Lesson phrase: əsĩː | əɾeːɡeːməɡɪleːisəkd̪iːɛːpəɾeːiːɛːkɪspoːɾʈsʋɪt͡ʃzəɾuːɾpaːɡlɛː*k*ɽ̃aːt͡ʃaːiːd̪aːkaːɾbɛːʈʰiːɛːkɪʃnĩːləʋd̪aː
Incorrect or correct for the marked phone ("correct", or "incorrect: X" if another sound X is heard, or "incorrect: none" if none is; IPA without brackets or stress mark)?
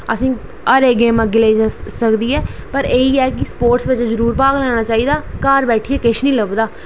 incorrect: none